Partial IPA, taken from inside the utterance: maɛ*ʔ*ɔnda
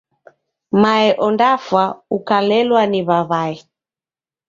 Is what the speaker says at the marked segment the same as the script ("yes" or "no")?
yes